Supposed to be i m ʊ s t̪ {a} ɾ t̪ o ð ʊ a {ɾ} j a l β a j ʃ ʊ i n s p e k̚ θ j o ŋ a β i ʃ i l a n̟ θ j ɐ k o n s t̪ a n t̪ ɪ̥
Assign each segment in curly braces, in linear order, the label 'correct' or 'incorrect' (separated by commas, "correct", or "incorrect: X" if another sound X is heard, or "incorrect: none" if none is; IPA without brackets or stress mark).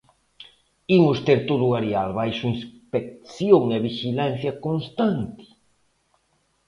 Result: incorrect: e, correct